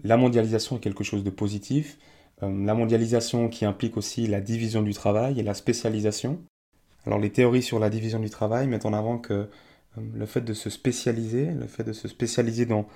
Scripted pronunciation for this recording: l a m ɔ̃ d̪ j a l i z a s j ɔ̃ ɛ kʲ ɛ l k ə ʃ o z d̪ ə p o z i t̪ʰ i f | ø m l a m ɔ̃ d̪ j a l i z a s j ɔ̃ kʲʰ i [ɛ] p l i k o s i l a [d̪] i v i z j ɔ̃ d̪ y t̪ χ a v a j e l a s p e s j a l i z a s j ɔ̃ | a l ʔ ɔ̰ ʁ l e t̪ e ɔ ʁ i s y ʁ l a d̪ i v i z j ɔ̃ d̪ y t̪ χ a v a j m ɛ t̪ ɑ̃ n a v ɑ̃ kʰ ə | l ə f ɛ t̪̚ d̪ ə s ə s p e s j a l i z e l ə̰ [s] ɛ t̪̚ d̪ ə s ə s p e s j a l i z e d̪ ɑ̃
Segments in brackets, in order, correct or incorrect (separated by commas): incorrect, correct, incorrect